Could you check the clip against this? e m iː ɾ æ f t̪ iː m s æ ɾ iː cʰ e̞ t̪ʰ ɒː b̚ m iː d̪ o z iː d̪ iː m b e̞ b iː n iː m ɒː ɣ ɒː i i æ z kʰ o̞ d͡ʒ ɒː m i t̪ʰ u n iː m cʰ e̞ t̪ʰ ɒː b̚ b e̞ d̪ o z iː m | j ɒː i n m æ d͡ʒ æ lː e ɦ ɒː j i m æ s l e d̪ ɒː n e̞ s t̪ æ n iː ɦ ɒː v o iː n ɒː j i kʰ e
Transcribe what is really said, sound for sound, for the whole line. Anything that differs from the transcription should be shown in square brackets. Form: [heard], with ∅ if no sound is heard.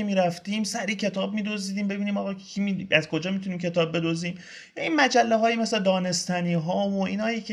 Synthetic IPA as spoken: e m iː ɾ æ f t̪ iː m s æ ɾ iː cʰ e̞ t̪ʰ ɒː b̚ m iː d̪ o z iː d̪ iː m b e̞ b iː n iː m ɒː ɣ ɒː i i æ z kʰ o̞ d͡ʒ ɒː m i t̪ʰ u n iː m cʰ e̞ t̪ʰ ɒː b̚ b e̞ d̪ o z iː m | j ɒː i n m æ d͡ʒ æ lː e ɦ ɒː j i m [e] s l e d̪ ɒː n e̞ s t̪ æ n iː ɦ ɒː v o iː n ɒː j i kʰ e